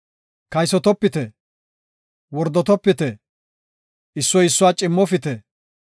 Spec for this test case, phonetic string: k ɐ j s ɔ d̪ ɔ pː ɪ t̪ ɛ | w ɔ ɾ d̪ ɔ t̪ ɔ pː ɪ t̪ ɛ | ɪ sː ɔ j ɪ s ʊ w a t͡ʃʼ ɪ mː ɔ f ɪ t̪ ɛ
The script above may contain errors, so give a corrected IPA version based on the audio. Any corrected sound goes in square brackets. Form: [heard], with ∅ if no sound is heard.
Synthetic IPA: k ɐ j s ɔ [t̪] ɔ pː ɪ t̪ ɛ | w ɔ ɾ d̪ ɔ t̪ ɔ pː ɪ t̪ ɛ | ɪ sː ɔ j ɪ [sː] ʊ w a t͡ʃʼ ɪ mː ɔ f ɪ t̪ ɛ

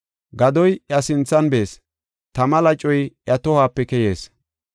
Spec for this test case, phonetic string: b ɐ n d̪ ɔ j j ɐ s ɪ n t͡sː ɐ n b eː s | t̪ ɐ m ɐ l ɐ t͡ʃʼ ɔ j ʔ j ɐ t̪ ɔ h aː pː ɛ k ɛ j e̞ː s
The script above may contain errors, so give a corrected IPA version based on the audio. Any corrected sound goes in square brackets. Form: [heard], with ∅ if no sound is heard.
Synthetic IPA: [ɡ] ɐ [∅] d̪ ɔ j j ɐ s ɪ n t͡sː ɐ n b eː s | t̪ ɐ m ɐ l ɐ t͡ʃʼ ɔ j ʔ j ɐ t̪ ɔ h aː pː ɛ k ɛ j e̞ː s

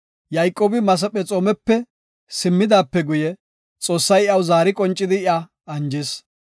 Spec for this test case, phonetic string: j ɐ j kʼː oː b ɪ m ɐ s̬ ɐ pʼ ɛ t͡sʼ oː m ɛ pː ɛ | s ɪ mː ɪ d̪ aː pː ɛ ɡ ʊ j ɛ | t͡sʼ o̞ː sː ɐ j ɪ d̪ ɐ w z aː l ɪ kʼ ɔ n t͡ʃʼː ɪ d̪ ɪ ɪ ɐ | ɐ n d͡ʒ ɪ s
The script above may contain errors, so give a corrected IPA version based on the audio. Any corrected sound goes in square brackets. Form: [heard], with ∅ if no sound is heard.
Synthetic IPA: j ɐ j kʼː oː b ɪ m ɐ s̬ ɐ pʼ ɛ t͡sʼ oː m ɛ pː ɛ | s ɪ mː ɪ d̪ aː pː ɛ ɡ ʊ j ɛ | t͡sʼ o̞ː sː ɐ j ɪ [∅] ɐ w z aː [ɾ] ɪ kʼ ɔ n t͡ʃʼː ɪ d̪ ɪ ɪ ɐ | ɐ n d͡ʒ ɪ s

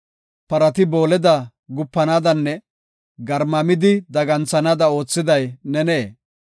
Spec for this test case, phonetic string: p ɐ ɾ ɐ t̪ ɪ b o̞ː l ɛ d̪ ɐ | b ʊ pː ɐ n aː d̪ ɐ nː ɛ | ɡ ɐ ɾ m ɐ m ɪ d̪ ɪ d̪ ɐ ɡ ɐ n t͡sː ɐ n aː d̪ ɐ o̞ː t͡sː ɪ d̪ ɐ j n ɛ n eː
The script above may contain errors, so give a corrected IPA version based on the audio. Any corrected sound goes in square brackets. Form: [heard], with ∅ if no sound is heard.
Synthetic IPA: p ɐ ɾ ɐ t̪ ɪ b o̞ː l ɛ d̪ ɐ | [ɡ] ʊ pː ɐ n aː d̪ ɐ nː ɛ | ɡ ɐ ɾ m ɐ m ɪ d̪ ɪ d̪ ɐ ɡ ɐ n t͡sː ɐ n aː d̪ ɐ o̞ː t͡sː ɪ d̪ ɐ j n ɛ n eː

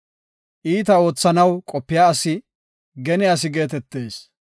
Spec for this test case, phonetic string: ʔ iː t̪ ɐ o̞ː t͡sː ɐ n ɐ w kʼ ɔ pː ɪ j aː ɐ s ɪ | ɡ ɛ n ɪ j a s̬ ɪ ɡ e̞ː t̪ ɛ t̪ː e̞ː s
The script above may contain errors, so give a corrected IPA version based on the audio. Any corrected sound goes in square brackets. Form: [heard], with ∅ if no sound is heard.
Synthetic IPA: ʔ iː t̪ ɐ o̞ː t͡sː ɐ n ɐ w kʼ ɔ pː ɪ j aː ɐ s ɪ | ɡ ɛ n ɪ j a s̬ ɪ ɡ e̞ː t̪ ɛ t̪ː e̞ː s

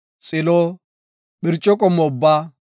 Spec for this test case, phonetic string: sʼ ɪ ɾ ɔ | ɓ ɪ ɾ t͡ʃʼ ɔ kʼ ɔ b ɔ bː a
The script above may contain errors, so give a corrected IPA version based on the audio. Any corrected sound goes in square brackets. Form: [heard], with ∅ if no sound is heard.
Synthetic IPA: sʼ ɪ [l] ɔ | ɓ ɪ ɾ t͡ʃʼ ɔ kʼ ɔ [m] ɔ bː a

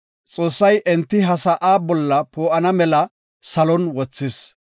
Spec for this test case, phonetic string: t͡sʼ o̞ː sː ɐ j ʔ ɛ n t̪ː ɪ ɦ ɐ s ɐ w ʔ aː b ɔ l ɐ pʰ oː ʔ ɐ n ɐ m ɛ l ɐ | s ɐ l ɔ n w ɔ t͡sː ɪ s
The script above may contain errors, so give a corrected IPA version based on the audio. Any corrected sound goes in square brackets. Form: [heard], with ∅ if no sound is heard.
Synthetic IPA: t͡sʼ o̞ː sː ɐ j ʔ ɛ n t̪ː ɪ ɦ ɐ s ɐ [∅] ʔ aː b ɔ [lː] ɐ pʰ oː ʔ ɐ n ɐ m ɛ l ɐ | s ɐ l ɔ n w ɔ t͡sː ɪ s

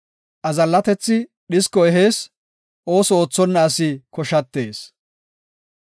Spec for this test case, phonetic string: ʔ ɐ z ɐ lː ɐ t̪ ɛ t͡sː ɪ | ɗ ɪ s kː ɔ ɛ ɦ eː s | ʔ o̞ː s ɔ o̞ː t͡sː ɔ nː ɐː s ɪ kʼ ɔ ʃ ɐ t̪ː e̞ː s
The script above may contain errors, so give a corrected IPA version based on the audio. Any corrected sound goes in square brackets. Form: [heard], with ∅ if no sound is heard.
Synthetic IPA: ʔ ɐ z ɐ lː ɐ t̪ ɛ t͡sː ɪ | ɗ ɪ s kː ɔ ɛ ɦ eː s | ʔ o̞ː s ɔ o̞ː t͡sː ɔ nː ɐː s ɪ [k] ɔ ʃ ɐ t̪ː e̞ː s

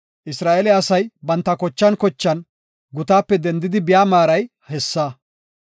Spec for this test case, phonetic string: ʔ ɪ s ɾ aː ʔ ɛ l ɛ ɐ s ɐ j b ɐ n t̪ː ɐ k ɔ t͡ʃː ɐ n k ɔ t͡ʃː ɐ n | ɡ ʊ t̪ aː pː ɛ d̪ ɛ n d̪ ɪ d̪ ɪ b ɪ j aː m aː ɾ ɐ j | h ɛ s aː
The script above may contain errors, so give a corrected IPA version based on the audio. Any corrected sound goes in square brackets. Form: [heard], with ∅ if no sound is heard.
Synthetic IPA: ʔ ɪ s ɾ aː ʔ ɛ l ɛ ɐ s ɐ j b ɐ n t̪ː ɐ k ɔ t͡ʃː ɐ n k ɔ t͡ʃː ɐ n | ɡ ʊ t̪ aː pː ɛ d̪ ɛ n d̪ ɪ d̪ ɪ b ɪ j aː m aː ɾ ɐ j | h ɛ [sː] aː

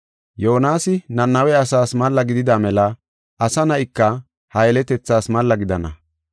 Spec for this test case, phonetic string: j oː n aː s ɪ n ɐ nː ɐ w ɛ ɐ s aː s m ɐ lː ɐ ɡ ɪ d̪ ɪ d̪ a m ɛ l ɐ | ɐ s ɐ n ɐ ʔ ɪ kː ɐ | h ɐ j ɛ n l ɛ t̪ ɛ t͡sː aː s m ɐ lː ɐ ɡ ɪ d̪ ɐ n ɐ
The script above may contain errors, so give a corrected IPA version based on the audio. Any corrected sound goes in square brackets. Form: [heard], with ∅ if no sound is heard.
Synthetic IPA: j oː n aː s ɪ n ɐ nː ɐ w ɛ ɐ s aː s m ɐ lː ɐ ɡ ɪ d̪ ɪ d̪ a m ɛ l ɐ | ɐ s ɐ n ɐ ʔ ɪ kː ɐ | h ɐ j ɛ [∅] l ɛ t̪ ɛ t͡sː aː s m ɐ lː ɐ ɡ ɪ d̪ ɐ n ɐ

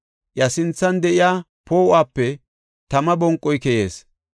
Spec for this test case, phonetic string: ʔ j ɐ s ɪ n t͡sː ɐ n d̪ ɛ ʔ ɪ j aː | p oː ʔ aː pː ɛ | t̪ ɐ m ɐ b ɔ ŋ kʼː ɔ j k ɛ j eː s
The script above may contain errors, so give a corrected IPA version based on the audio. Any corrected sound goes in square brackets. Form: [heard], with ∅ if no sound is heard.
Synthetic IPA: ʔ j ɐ s ɪ n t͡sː ɐ n d̪ ɛ ʔ ɪ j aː | p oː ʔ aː pː ɛ | t̪ ɐ m ɐ b ɔ ŋ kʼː ɔ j k ɛ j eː s

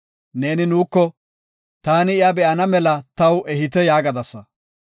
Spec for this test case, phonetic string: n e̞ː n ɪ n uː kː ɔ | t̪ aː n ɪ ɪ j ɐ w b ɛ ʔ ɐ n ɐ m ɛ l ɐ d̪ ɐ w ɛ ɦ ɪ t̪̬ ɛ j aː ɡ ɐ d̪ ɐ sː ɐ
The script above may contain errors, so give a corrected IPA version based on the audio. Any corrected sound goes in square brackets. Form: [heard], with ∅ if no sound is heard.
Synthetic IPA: n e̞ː n ɪ n uː kː ɔ | t̪ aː n ɪ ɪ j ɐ [∅] b ɛ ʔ ɐ n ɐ m ɛ l ɐ [t̪] ɐ w ɛ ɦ ɪ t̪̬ ɛ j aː ɡ ɐ d̪ ɐ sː ɐ

